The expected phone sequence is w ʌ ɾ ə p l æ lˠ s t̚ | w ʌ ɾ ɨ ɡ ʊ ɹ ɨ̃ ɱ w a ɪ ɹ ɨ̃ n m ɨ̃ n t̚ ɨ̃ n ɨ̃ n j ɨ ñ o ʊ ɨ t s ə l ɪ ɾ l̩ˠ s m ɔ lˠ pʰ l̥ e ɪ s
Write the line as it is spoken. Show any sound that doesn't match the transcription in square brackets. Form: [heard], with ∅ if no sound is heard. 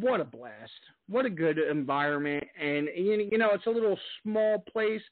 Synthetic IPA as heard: w ʌ ɾ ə [b] l æ [∅] s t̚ | w ʌ ɾ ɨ ɡ ʊ [ɾ] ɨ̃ ɱ [v] a ɪ ɹ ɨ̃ n m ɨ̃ n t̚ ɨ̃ n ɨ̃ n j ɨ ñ o ʊ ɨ t s ə l ɪ ɾ l̩ˠ s m ɔ lˠ pʰ l̥ e ɪ s